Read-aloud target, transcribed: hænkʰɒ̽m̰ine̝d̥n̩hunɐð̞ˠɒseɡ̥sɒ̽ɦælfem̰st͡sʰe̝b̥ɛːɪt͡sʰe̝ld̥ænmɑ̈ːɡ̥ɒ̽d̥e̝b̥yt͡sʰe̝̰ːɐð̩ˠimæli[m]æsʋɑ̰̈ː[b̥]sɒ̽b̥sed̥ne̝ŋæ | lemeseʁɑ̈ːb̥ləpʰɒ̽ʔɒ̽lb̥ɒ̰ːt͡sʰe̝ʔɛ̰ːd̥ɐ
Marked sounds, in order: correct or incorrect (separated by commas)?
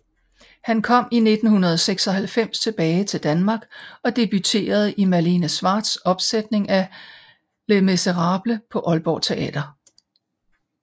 incorrect, incorrect